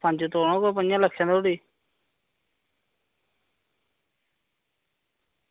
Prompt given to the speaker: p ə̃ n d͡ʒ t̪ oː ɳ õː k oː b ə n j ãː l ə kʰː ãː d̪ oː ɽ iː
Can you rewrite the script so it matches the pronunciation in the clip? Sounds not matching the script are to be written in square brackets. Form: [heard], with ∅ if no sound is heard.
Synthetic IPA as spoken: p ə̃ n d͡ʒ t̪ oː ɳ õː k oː [p] ə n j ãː l ə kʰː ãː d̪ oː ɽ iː